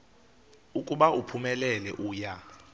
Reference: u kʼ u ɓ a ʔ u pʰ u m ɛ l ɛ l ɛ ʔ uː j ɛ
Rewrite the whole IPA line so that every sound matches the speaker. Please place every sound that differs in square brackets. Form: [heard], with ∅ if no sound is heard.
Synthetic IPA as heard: u kʼ u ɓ a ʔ u pʰ u m ɛ l ɛ l ɛ ʔ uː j [a]